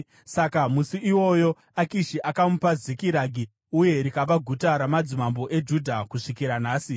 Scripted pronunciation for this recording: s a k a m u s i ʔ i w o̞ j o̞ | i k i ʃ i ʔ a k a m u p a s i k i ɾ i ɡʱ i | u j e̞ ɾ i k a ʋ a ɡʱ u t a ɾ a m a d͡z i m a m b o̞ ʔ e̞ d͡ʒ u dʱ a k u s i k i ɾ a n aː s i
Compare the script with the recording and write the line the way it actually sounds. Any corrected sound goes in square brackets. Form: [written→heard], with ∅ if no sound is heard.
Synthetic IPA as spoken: s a k a m u s i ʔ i w o̞ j o̞ | [i→a] k i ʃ i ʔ a k a m u p a [s→z] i k i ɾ [i→a] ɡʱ i | u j e̞ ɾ i k a ʋ a ɡʱ u t a ɾ a m a d͡z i m a m b o̞ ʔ e̞ d͡ʒ u dʱ a k u [s→ʂ] i k i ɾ a n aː s i